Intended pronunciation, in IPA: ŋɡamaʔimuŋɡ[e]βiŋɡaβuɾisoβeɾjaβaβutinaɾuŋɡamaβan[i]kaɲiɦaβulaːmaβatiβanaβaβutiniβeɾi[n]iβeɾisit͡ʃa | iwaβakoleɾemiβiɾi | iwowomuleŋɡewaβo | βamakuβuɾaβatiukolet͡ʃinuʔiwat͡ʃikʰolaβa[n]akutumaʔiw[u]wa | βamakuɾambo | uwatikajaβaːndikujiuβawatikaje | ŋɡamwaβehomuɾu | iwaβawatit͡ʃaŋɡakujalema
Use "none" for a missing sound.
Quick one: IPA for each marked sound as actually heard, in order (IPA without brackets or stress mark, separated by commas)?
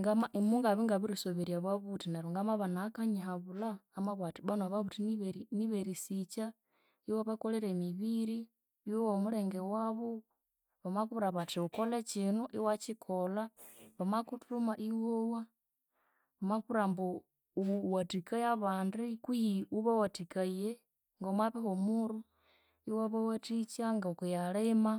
a, a, n, m, o